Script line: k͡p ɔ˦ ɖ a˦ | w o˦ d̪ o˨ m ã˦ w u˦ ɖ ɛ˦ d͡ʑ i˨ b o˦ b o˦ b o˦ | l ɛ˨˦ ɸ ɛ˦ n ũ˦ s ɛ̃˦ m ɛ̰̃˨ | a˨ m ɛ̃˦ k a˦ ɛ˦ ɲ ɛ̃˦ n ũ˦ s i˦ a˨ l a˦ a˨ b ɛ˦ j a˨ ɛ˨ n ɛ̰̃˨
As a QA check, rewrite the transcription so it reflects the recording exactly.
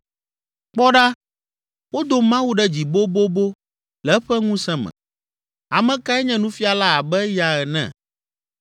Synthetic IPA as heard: k͡p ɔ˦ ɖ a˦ | w o˦ d̪ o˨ m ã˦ w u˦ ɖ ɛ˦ d͡ʑ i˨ b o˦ b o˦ b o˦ | l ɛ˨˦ ɸ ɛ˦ ŋ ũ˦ s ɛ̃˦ m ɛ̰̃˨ | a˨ m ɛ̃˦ k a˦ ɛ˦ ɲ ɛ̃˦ n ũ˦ f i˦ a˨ l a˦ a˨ b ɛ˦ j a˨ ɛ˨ n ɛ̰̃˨